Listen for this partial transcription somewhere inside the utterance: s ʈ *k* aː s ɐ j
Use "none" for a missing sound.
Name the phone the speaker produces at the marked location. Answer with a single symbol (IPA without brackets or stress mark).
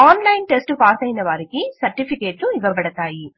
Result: p